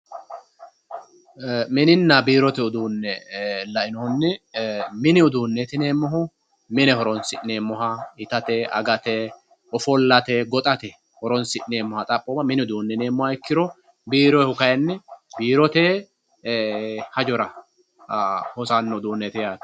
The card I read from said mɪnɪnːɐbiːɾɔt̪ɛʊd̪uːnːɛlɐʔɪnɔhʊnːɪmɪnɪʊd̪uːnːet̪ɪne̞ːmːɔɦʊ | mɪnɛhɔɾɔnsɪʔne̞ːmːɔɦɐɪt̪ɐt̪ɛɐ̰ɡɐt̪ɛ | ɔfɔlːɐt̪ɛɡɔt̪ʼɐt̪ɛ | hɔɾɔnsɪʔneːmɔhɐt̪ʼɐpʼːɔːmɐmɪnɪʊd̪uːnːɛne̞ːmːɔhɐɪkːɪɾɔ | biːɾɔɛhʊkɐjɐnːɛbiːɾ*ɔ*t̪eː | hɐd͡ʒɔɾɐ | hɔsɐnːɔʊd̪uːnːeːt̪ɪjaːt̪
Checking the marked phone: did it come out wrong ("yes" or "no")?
no